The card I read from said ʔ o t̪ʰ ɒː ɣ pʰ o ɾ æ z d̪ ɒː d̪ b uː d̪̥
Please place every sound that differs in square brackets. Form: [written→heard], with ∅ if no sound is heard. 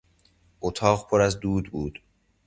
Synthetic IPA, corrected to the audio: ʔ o t̪ʰ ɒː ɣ pʰ o ɾ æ z d̪ [ɒː→uː] d̪ b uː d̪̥